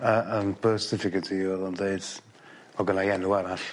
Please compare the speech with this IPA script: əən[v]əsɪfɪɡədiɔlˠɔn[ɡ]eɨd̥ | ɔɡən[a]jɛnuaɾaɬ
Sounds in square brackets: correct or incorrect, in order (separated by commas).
incorrect, incorrect, correct